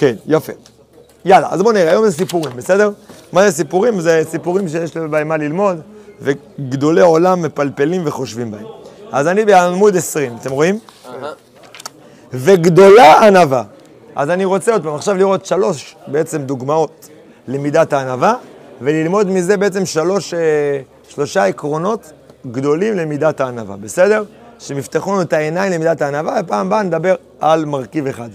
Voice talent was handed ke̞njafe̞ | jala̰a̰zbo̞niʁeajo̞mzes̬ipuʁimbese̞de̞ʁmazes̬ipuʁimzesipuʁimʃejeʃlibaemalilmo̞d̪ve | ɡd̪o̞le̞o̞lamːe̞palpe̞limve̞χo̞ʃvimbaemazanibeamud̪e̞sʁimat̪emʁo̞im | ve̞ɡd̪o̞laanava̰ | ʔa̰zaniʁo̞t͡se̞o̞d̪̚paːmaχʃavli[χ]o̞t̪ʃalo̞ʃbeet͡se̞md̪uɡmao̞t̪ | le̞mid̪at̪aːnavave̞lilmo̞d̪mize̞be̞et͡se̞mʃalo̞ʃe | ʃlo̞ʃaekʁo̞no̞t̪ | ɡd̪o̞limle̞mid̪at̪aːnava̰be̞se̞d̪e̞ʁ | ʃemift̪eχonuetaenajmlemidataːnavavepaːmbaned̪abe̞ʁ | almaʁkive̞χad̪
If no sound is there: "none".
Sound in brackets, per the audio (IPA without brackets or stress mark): ʁ